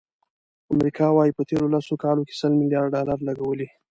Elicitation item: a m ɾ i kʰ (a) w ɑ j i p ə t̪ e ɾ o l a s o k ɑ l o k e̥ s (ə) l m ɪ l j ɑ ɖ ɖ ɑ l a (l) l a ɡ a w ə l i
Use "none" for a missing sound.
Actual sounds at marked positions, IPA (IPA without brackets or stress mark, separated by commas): ɑ, ə, ɾ